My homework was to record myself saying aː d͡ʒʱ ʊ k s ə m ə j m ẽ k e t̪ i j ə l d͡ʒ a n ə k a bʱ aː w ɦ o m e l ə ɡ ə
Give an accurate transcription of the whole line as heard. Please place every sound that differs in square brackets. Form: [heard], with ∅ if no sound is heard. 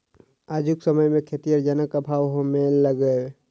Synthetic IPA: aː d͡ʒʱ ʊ k s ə m ə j m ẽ [kʰ] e t̪ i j ə [ɾ] d͡ʒ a n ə k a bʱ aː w ɦ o m e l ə ɡ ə